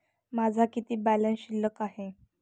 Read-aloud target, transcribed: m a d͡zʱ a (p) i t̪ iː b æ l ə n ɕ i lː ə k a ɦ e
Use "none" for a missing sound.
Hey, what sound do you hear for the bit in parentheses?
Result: k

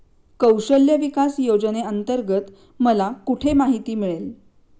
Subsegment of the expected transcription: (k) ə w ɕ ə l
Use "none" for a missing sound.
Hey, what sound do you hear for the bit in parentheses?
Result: k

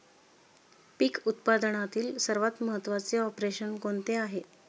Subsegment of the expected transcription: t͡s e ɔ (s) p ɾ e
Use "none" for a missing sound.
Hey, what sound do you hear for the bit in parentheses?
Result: none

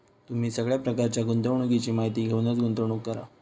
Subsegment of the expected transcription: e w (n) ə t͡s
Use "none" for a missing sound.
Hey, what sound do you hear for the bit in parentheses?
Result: n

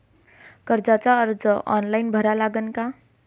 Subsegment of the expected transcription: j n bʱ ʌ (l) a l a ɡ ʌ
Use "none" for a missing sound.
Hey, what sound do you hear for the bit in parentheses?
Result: ɾ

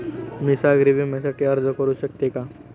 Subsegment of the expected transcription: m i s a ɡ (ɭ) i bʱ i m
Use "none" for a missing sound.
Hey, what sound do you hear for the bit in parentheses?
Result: ɾ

